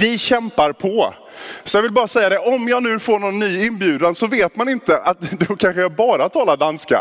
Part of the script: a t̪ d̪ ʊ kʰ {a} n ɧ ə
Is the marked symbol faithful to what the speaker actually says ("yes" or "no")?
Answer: yes